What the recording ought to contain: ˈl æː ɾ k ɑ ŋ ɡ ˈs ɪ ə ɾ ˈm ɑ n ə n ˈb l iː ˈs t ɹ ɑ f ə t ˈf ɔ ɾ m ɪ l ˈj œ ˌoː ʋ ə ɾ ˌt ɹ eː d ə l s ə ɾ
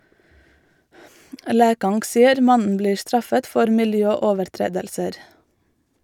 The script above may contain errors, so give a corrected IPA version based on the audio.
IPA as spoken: ˈl æː k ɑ ŋ ɡ ˈs ɪ ə ɾ ˈm ɑ n ə n ˈb l iː ˈs t ɹ ɑ f ə t ˈf ɔ ɾ m ɪ l ˈj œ ˌoː ʋ ə ɾ ˌt ɹ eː d ə l s ə ɾ